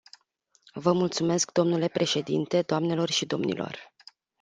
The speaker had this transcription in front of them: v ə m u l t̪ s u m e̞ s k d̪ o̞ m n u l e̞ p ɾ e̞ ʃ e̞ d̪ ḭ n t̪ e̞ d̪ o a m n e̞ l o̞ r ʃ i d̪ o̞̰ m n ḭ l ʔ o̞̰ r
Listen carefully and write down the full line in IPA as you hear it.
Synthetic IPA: v ə m u l t̪ s u m e̞ s k d̪ o̞ m n u l e̞ p ɾ e̞ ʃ e̞ d̪ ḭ n t̪ e̞ d̪ o a m n e̞ l o̞ r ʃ i d̪ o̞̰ m n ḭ l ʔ o̞̰ r